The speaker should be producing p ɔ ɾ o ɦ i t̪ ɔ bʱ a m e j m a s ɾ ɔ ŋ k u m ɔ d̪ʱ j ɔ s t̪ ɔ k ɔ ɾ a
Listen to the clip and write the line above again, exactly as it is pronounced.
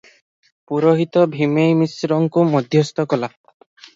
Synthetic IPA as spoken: p u ɾ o ɦ i t̪ ɔ bʱ i m e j m i s ɾ ɔ ŋ k u m ɔ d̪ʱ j ɔ s t̪ ɔ k ɔ l a

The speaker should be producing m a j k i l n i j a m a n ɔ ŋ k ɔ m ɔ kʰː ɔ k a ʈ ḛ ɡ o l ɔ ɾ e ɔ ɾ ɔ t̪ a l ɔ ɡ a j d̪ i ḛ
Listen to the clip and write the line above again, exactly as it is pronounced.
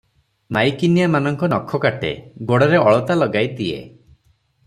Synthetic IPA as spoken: m a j k i n i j a m a n ɔ ŋ k ɔ n ɔ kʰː ɔ k a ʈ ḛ ɡ o ɽ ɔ ɾ e ɔ ɭ ɔ t̪ a l ɔ ɡ a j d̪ i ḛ

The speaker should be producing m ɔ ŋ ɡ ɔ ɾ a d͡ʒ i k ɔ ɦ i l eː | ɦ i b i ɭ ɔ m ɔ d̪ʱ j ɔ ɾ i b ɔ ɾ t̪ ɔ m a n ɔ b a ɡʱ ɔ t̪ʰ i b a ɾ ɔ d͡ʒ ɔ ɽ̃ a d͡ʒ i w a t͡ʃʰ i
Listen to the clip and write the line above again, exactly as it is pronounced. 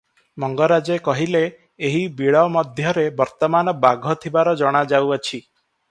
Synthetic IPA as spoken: m ɔ ŋ ɡ ɔ ɾ a d͡ʒ e k ɔ ɦ i l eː | ɦ i b i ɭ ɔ m ɔ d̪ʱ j ɔ ɾ e b ɔ ɾ t̪ ɔ m a n ɔ b a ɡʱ ɔ t̪ʰ i b a ɾ ɔ d͡ʒ ɔ ɽ̃ a d͡ʒ a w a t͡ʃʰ i

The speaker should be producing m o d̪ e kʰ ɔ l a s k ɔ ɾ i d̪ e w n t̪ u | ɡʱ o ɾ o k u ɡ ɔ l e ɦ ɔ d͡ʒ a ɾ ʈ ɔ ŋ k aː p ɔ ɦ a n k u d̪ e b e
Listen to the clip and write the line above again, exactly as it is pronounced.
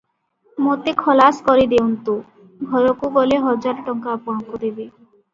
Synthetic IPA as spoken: m o t̪ e kʰ ɔ l a s k ɔ ɾ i d̪ e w n t̪ u | ɡʱ ɔ ɾ o k u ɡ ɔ l e ɦ ɔ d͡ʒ a ɾ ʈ ɔ ŋ k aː p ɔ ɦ a ŋ k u d̪ e b e

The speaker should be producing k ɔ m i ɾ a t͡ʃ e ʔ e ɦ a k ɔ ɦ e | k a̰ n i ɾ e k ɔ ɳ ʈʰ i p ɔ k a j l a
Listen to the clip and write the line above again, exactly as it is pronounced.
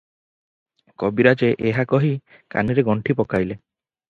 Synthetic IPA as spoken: k ɔ b i ɾ a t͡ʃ e ʔ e ɦ a k ɔ ɦ i | k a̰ n i ɾ e ɡ ɔ ɳ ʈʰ i p ɔ k a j l e

